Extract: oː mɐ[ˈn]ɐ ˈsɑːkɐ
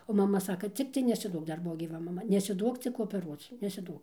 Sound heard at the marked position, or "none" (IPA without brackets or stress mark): m